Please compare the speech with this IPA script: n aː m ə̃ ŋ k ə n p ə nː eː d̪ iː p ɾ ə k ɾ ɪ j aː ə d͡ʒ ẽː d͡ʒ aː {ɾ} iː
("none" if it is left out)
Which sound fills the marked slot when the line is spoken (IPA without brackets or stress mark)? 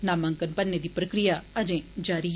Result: ɾ